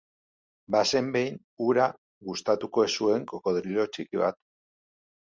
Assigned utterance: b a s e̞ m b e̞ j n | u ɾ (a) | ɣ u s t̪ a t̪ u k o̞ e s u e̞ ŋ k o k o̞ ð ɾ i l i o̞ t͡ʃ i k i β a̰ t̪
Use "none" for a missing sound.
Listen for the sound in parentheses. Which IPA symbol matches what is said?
a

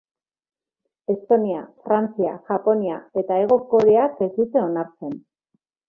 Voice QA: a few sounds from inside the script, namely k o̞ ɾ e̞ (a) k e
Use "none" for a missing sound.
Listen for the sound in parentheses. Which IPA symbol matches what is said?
a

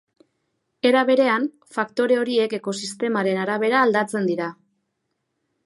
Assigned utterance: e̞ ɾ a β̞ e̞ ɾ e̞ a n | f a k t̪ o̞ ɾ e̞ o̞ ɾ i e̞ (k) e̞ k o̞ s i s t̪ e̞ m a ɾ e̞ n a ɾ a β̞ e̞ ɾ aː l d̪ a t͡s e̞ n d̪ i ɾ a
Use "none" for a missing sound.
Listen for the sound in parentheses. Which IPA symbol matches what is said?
k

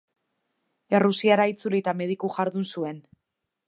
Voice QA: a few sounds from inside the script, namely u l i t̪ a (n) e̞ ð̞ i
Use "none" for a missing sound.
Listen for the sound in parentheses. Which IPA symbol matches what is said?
m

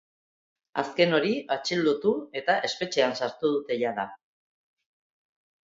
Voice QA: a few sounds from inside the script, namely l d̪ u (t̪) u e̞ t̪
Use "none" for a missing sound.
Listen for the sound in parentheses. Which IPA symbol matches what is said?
t̪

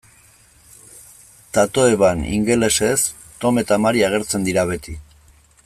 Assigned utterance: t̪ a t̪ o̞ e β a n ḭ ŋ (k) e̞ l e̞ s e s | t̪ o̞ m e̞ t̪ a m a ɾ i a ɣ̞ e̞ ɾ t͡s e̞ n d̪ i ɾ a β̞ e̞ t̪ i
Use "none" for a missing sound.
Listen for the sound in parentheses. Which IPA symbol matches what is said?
ɡ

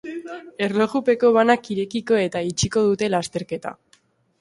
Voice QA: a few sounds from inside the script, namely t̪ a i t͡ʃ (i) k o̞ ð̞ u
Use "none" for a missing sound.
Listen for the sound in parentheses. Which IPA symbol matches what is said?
i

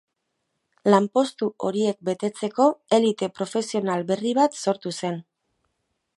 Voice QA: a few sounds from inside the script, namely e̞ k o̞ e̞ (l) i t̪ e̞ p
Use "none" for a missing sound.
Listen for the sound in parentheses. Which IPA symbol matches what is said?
l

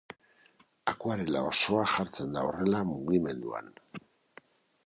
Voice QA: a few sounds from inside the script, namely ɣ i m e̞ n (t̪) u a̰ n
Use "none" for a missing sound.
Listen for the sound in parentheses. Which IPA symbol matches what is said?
d̪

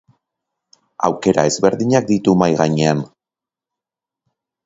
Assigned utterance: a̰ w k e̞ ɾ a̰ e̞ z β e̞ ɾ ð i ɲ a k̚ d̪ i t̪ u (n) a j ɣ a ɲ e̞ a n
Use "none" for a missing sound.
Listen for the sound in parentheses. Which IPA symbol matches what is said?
m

